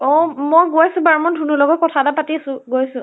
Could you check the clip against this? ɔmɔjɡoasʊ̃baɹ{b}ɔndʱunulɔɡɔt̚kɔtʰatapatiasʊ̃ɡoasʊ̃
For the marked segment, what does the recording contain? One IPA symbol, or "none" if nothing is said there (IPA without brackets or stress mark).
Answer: m